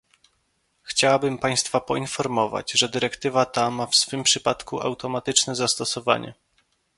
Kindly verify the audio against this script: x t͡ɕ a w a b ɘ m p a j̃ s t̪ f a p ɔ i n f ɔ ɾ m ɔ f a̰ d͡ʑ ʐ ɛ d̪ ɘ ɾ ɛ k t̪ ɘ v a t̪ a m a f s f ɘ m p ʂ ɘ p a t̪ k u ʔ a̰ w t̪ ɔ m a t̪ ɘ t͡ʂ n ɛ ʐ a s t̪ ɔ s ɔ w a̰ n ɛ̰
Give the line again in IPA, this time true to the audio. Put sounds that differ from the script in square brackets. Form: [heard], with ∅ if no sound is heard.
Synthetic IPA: x t͡ɕ a w a b ɘ m p a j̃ s t̪ f a p ɔ i n f ɔ ɾ m ɔ [v] a̰ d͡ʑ ʐ ɛ d̪ ɘ ɾ ɛ k t̪ ɘ v a t̪ a m a f s f ɘ m p ʂ ɘ p a t̪ k u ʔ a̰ w t̪ ɔ m a t̪ ɘ t͡ʂ n ɛ [z] a s t̪ ɔ s ɔ [v] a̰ [ɲ] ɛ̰